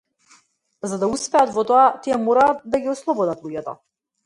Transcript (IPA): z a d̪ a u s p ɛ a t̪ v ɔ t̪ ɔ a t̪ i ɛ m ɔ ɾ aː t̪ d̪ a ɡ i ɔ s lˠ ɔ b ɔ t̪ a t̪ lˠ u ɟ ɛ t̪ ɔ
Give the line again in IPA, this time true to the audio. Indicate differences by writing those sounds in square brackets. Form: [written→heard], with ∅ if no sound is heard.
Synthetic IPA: z a d̪ a u s p ɛ a t̪ v ɔ t̪ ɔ a t̪ i ɛ m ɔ ɾ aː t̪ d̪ a ɡ i ɔ s lˠ ɔ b ɔ [t̪→d̪] a t̪ lˠ u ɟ ɛ t̪ ɔ